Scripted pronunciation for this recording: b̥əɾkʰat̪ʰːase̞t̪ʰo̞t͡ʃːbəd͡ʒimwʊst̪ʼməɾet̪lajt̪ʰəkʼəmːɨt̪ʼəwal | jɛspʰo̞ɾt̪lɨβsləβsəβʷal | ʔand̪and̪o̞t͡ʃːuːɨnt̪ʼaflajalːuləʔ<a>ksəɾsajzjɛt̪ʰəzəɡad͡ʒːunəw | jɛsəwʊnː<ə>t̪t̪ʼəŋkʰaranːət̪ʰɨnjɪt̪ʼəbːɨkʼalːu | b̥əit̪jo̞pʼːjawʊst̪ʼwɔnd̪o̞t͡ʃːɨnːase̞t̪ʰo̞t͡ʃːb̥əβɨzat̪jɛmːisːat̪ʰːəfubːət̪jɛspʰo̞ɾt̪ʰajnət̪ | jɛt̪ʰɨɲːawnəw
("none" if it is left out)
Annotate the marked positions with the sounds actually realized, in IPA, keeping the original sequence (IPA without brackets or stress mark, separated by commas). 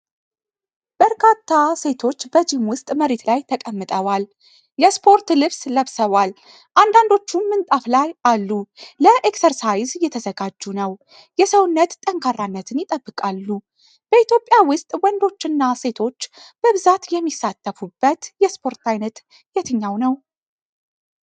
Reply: e, ə